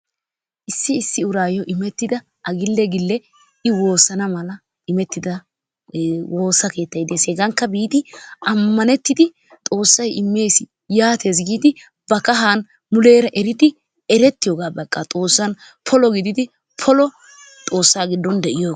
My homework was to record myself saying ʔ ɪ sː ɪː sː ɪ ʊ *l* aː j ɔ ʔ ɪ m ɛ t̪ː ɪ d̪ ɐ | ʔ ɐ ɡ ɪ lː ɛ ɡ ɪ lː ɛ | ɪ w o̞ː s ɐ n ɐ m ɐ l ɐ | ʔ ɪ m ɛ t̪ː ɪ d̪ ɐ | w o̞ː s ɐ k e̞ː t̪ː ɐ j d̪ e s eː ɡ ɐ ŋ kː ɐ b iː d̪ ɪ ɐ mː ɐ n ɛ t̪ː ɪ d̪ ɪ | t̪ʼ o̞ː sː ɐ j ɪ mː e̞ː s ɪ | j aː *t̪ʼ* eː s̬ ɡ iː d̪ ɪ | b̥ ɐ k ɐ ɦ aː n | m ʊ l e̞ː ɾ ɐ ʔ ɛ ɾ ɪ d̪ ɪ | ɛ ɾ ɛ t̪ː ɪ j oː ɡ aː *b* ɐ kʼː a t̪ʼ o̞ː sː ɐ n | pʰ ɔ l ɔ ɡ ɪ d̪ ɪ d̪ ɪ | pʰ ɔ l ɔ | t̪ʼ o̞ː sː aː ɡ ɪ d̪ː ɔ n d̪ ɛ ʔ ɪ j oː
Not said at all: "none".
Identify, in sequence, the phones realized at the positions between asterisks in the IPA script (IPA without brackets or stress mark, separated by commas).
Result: ɾ, t̪, b